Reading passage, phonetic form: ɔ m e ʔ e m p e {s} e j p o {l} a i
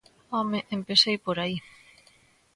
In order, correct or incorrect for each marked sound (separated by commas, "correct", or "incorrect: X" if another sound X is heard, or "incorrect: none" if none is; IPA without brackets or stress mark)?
correct, incorrect: ɾ